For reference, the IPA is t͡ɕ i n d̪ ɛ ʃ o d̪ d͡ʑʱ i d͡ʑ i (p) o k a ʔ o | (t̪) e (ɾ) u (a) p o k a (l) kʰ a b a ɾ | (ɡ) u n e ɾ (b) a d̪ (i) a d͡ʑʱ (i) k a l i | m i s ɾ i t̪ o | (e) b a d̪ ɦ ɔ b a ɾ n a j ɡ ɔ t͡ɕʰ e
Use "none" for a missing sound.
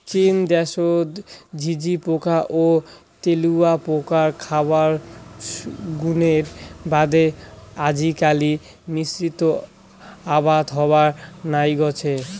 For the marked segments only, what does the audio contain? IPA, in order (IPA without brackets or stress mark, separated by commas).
p, t̪, l, a, ɾ, ɡ, b, e, i, a